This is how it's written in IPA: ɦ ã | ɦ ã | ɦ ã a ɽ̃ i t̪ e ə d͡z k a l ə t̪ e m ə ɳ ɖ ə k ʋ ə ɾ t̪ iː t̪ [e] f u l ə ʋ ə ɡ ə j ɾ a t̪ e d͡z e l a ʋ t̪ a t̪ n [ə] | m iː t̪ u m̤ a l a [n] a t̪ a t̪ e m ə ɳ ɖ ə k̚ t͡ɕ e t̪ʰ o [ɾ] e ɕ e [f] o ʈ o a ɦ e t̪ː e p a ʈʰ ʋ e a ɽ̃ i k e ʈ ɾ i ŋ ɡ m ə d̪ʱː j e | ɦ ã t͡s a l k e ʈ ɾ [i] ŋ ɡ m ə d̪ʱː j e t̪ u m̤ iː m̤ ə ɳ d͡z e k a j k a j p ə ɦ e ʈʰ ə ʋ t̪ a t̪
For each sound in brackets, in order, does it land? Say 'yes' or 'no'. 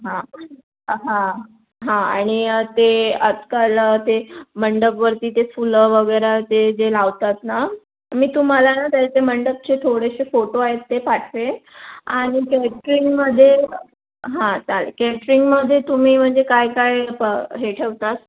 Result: yes, no, yes, no, yes, yes

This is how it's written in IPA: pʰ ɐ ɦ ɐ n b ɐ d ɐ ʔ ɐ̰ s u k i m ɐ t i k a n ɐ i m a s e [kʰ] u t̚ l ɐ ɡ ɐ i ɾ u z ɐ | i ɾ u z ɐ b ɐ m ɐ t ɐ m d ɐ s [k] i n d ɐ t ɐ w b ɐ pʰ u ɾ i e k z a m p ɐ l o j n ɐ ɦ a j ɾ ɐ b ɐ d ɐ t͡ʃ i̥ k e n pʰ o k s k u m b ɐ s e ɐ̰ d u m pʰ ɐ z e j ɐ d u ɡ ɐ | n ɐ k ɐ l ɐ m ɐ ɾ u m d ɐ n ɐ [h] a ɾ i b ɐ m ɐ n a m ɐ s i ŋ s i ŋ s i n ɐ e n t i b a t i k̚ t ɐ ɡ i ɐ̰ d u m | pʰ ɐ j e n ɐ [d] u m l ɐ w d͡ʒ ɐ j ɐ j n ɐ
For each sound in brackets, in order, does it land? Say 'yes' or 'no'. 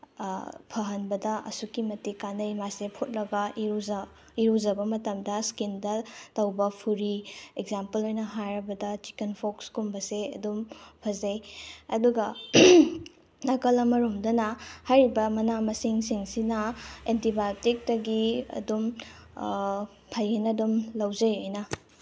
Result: no, yes, yes, yes

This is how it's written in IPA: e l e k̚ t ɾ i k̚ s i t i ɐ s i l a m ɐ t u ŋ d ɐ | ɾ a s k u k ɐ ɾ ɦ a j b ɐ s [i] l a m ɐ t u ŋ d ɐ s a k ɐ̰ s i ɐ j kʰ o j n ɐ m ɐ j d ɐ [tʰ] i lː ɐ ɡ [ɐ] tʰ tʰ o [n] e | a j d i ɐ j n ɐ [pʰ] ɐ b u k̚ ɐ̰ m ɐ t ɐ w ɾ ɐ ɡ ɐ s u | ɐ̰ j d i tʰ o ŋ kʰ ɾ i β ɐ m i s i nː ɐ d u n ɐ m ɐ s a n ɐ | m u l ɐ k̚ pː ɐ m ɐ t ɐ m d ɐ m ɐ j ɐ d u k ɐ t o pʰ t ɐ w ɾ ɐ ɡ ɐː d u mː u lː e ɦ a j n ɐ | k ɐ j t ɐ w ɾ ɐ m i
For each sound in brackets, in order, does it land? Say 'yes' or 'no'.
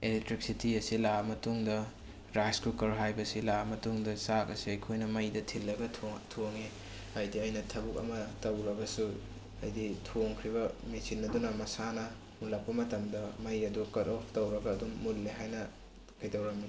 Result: yes, yes, yes, no, no

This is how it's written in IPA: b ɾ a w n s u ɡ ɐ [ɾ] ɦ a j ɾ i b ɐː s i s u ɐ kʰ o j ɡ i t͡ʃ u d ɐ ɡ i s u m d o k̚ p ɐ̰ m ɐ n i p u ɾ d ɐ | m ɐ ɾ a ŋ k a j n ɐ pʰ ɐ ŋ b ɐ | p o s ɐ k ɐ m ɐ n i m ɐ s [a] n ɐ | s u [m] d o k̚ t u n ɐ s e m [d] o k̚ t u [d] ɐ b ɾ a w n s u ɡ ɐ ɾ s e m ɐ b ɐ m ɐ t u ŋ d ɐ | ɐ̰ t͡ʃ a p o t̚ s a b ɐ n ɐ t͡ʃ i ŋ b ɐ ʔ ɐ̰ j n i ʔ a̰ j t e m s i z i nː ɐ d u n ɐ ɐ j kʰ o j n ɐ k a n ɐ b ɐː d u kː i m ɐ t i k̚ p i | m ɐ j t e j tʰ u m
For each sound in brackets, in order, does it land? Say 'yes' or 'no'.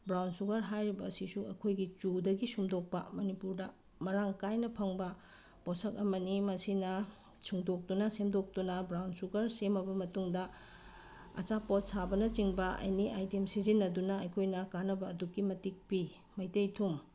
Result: yes, no, no, yes, no

